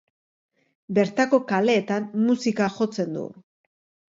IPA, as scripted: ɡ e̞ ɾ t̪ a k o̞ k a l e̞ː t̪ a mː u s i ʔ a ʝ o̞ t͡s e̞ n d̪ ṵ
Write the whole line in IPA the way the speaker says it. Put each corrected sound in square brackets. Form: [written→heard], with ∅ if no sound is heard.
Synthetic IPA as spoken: [ɡ→b] e̞ ɾ t̪ a k o̞ k a l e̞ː t̪ a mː u s i [ʔ→k] a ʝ o̞ t͡s e̞ n d̪ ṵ